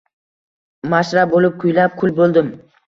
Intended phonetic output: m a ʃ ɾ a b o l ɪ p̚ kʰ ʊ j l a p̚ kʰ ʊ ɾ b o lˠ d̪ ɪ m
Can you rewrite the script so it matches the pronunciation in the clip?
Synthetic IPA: m a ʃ ɾ a b o l ɪ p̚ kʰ ʊ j l a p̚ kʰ ʊ l b o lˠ d̪ ɪ m